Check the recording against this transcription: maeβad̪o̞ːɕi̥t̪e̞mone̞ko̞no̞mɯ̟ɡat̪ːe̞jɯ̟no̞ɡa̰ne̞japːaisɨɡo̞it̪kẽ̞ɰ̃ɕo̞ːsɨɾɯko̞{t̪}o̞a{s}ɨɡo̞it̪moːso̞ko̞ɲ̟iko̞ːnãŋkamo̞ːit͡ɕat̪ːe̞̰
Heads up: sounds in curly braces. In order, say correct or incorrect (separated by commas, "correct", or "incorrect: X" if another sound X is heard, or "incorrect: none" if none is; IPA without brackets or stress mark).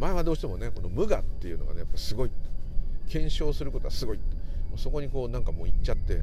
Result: correct, correct